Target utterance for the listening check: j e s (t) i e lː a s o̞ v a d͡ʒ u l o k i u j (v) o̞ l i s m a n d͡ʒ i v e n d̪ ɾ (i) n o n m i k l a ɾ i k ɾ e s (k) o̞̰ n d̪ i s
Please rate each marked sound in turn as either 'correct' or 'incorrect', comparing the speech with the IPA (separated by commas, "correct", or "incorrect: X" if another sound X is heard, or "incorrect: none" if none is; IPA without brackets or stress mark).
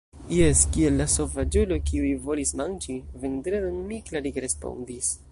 incorrect: k, correct, incorrect: e, incorrect: p